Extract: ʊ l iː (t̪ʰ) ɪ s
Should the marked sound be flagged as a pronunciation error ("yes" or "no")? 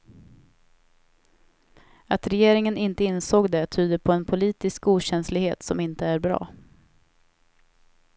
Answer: yes